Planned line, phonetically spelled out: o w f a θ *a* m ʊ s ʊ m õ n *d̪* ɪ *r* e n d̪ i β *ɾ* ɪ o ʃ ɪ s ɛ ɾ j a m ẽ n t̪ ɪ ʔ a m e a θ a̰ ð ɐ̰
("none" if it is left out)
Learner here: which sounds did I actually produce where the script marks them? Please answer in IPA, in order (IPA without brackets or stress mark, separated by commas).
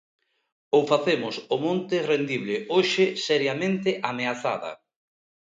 e, t̪, r, l